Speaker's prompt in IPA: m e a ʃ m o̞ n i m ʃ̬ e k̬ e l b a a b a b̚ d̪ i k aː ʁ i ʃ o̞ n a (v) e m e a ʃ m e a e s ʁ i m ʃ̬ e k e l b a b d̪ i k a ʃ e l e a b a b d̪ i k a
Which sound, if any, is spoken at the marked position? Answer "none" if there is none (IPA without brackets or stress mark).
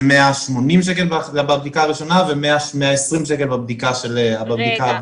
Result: v